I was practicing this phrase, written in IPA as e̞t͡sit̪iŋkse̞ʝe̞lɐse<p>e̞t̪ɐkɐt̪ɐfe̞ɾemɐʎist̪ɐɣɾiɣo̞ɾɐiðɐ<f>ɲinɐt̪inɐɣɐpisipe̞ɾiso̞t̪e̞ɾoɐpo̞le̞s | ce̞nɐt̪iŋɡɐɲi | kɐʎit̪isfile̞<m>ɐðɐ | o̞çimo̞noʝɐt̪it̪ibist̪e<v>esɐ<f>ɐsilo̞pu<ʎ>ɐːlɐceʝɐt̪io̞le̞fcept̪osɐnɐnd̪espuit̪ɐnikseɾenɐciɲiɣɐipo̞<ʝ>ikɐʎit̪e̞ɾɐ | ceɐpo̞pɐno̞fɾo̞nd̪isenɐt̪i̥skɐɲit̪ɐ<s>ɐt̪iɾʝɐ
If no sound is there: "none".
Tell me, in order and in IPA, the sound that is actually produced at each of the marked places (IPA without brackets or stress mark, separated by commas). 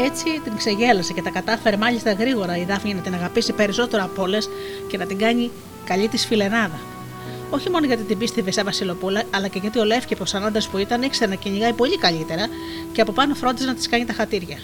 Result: c, f, n, v, v, l, ʎ, x